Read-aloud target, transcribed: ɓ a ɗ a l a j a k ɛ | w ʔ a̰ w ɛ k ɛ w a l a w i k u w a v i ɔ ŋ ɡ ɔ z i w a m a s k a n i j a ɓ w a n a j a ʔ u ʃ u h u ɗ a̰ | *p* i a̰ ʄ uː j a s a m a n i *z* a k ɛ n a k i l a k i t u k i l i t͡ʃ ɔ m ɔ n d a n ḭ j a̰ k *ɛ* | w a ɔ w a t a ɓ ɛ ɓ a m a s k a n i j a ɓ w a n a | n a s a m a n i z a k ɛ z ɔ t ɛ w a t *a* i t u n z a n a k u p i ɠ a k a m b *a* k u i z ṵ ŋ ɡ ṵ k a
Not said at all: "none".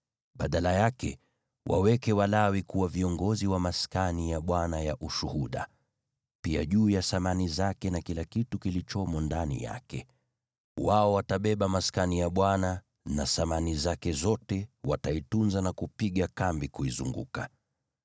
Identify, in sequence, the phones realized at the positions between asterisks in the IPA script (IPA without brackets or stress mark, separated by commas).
p, z, ɛ, a, i